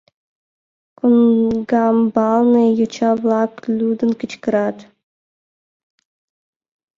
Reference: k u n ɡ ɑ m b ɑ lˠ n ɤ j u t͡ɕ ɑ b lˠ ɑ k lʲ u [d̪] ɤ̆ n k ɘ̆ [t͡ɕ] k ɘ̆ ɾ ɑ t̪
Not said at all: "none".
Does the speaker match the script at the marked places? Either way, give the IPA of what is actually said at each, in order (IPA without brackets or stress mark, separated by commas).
d̪, t͡ɕ